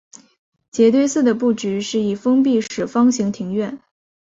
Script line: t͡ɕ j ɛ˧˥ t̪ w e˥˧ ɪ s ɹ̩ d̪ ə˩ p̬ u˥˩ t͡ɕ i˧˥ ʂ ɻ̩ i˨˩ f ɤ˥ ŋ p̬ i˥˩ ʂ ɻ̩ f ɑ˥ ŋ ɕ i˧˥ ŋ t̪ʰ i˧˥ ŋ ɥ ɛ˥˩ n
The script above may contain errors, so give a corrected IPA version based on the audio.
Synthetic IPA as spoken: t͡ɕ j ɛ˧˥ t̪ w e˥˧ ɪ s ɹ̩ d̪ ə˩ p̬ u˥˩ t͡ɕ y˧˥ ʂ ɻ̩ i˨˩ f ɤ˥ ŋ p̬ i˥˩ ʂ ɻ̩ f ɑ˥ ŋ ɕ i˧˥ ŋ t̪ʰ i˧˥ ŋ ɥ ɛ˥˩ n

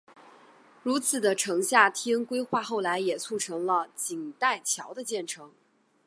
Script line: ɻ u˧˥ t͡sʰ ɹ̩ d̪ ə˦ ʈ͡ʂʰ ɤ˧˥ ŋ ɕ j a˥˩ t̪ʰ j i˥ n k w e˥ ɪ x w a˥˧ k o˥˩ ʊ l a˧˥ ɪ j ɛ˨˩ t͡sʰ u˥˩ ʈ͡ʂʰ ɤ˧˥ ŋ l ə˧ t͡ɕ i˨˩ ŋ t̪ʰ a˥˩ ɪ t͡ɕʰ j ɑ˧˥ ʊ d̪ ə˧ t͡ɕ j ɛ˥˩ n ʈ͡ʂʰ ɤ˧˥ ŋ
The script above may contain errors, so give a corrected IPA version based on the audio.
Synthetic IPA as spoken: ɻ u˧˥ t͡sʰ ɹ̩ d̪ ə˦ ʈ͡ʂʰ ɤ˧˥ ŋ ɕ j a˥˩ t̪ʰ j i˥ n k w e˥ ɪ x w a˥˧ x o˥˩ ʊ l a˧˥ ɪ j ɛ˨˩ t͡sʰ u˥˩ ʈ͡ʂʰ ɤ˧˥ ŋ l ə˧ t͡ɕ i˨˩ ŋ t̪ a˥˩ ɪ t͡ɕʰ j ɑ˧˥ ʊ d̪ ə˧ t͡ɕ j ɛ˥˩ n ʈ͡ʂʰ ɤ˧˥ ŋ

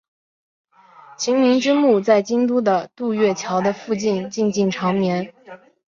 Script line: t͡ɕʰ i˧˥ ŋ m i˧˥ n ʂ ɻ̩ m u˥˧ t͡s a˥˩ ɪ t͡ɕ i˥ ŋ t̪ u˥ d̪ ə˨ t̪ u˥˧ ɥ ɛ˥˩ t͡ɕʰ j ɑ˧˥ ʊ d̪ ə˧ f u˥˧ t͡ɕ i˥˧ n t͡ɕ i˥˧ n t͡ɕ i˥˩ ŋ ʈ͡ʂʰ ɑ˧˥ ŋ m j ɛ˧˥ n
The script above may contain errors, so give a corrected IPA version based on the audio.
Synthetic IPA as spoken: t͡ɕʰ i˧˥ ŋ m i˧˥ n ʈ͡ʂ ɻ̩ m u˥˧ t͡s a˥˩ ɪ t͡ɕ i˥ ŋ t̪ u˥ d̪ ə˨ t̪ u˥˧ ɥ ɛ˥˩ t͡ɕʰ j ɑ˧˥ ʊ d̪ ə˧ f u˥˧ t͡ɕ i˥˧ n t͡ɕ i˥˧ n t͡ɕ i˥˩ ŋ ʈ͡ʂʰ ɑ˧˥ ŋ m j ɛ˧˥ n

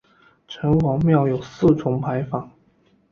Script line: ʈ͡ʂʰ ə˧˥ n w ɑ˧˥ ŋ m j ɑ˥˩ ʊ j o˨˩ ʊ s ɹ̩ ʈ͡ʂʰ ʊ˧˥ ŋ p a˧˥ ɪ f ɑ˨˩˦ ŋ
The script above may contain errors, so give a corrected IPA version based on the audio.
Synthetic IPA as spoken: ʈ͡ʂʰ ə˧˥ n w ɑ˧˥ ŋ m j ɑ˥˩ ʊ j o˨˩ ʊ s ɹ̩ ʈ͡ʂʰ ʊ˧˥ ŋ pʰ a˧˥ ɪ f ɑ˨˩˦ ŋ

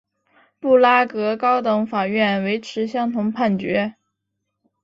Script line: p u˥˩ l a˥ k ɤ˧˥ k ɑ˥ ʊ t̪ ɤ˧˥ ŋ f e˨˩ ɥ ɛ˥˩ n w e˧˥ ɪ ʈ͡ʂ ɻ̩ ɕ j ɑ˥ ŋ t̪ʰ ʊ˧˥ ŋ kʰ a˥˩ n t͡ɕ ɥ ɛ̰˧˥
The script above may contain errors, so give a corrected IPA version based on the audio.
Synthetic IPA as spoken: p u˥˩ l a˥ k ɤ˧˥ k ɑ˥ ʊ t̪ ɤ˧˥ ŋ f a˨˩ ɥ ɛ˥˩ n w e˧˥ ɪ ʈ͡ʂʰ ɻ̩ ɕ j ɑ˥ ŋ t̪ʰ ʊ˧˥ ŋ pʰ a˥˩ n t͡ɕ ɥ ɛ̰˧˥

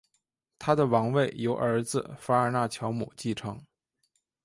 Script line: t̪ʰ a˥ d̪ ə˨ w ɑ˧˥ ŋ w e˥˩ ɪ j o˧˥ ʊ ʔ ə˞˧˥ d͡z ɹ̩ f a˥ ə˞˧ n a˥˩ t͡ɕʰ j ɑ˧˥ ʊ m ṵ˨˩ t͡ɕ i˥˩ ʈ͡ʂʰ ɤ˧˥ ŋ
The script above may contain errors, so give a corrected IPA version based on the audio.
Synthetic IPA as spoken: t̪ʰ a˥ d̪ ə˨ w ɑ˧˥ ŋ w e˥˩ ɪ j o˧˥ ʊ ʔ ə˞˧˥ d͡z ɹ̩ f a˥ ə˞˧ n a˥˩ t͡ɕʰ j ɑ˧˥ ʊ m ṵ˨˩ t͡ɕ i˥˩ ʈ͡ʂʰ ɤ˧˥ ŋ

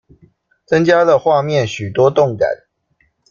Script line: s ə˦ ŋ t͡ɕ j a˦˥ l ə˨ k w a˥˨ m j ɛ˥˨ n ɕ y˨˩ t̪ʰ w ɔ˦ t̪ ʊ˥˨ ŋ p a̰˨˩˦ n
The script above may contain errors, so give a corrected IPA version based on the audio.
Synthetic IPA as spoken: t͡s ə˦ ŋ t͡ɕ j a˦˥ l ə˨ x w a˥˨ m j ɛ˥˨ n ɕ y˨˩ t̪ w ɔ˦ t̪ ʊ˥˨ ŋ k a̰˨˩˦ n

